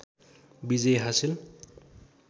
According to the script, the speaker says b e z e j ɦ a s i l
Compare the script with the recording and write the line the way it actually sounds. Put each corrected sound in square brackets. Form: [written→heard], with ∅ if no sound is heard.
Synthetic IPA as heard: b [e→i] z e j ɦ a s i l